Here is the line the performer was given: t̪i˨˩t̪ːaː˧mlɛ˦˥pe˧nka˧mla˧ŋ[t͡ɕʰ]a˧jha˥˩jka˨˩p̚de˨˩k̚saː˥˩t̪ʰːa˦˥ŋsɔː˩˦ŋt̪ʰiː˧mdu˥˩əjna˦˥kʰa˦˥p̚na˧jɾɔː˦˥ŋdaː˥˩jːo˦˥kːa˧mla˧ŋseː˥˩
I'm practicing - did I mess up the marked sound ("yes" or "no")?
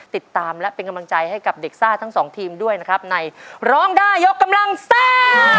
yes